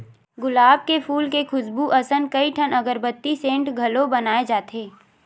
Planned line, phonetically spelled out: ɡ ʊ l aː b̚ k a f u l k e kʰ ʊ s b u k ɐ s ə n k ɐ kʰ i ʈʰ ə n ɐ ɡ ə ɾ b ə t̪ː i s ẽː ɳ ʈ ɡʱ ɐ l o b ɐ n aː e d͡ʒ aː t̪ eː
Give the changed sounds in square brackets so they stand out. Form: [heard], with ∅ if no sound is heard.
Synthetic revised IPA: ɡ ʊ l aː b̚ k [e] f [uː] l k e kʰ ʊ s b u [ʔ] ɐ s ə n k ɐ [∅] i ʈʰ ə n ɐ ɡ ə ɾ b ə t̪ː i s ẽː ɳ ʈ ɡʱ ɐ l o b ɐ n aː e d͡ʒ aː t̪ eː